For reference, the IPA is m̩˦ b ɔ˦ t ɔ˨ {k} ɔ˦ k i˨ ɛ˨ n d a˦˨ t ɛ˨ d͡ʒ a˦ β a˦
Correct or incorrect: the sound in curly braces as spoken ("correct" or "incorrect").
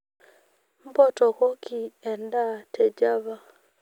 correct